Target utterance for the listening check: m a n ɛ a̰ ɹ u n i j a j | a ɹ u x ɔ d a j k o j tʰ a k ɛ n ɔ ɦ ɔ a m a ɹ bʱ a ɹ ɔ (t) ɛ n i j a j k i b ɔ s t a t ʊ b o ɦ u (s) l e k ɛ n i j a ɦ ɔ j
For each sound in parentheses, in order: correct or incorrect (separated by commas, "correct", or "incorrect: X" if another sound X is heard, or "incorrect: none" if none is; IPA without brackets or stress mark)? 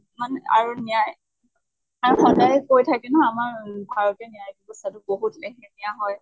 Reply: correct, incorrect: t